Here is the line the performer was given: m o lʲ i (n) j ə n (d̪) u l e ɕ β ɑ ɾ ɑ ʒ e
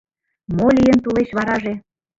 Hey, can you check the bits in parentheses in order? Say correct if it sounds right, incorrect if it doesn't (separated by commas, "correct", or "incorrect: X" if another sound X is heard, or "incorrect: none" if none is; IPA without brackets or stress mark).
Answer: incorrect: none, incorrect: t̪